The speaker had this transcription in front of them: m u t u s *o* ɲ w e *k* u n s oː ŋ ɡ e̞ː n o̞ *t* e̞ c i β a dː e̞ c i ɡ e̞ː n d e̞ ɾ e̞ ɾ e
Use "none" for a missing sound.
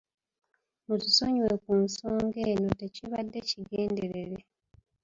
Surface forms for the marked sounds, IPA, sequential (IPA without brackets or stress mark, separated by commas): o, k, t